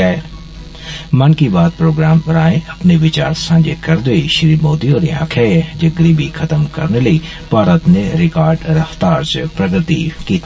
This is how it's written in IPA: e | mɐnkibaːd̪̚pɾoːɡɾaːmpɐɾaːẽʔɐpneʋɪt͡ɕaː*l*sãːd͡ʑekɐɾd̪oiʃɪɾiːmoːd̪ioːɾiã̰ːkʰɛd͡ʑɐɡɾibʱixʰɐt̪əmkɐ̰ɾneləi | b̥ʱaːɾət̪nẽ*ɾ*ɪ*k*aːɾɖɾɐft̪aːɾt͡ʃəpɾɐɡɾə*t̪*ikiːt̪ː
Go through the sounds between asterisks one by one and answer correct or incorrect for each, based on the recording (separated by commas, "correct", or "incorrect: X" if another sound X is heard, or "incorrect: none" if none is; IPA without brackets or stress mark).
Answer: incorrect: ɾ, correct, correct, correct